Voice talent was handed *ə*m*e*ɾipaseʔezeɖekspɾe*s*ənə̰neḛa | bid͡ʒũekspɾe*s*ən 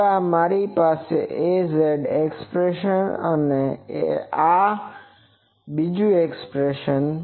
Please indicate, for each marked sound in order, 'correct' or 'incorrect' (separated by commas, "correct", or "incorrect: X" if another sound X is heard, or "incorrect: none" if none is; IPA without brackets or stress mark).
incorrect: a, incorrect: a, incorrect: ʃ, incorrect: ʃ